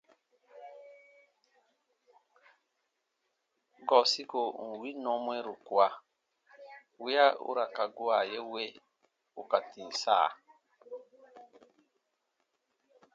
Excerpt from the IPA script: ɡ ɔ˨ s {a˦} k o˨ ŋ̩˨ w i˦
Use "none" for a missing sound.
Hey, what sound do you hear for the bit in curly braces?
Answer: i˦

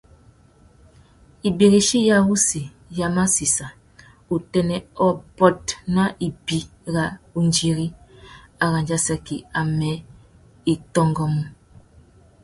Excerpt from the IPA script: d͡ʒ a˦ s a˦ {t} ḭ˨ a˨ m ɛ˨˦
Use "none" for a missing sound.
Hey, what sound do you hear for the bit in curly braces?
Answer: k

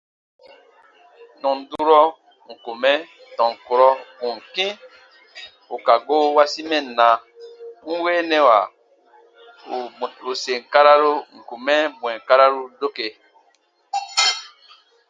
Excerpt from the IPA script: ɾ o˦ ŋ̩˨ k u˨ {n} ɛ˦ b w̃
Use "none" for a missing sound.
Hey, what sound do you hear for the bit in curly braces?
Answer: m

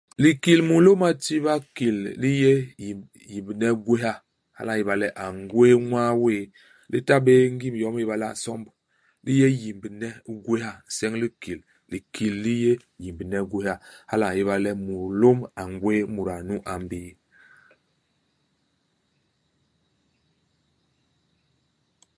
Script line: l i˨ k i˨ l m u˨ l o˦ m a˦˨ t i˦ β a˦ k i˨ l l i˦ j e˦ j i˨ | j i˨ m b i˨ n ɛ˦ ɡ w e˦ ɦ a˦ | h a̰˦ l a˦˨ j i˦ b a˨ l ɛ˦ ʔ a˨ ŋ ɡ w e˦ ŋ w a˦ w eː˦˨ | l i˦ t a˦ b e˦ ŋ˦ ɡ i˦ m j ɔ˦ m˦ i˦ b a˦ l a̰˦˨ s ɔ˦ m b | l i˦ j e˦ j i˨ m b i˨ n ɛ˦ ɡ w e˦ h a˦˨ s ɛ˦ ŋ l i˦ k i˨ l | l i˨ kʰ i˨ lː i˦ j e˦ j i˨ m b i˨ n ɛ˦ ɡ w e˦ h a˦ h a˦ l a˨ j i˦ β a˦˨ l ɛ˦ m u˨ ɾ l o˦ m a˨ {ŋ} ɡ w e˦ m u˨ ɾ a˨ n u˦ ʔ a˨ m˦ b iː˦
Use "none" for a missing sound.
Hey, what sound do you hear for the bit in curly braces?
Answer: ŋ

